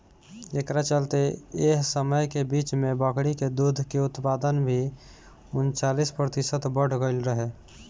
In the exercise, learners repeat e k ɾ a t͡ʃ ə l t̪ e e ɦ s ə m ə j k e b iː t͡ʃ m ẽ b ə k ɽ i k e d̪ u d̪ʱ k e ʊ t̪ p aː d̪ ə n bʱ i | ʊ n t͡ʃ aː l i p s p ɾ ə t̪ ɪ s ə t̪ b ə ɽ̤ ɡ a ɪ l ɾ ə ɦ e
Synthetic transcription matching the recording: e k ɾ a t͡ʃ ə l t̪ e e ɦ s ə m ə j k e b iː t͡ʃ m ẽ b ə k ɽ i k e d̪ u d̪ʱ k e ʊ t̪ p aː d̪ ə n bʱ i | ʊ n t͡ʃ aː l i s p ɾ ə t̪ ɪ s ə t̪ b ə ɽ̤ ɡ ə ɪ l ɾ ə ɦ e